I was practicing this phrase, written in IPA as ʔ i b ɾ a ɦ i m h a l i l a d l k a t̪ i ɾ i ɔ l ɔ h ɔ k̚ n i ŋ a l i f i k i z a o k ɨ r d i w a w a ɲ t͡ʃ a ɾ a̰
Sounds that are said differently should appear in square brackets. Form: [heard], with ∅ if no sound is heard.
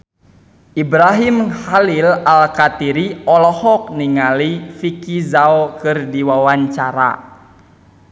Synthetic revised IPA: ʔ i b ɾ a ɦ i m h a l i l a [∅] l k a t̪ i ɾ i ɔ l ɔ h ɔ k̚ n i ŋ a l i f i k i z a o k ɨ r d i w a w a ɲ t͡ʃ a ɾ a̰